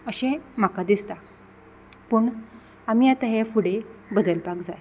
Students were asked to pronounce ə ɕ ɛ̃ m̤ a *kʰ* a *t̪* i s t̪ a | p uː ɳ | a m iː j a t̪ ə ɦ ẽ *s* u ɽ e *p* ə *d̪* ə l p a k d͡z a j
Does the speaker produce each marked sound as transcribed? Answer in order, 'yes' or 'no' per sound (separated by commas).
no, no, no, no, yes